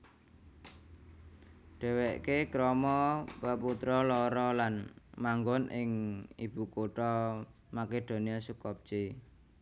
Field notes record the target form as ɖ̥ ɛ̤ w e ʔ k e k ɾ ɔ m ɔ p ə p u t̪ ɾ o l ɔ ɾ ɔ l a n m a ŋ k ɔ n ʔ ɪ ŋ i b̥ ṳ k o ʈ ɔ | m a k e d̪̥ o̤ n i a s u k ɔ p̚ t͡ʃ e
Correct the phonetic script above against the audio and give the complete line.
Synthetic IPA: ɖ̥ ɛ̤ w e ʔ k e k ɾ ɔ m ɔ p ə p u t̪ ɾ ɔ l ɔ ɾ ɔ l a n m a ŋ ɡ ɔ n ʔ ɪ ŋ i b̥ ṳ k o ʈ ɔ | m a k e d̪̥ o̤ n i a s u k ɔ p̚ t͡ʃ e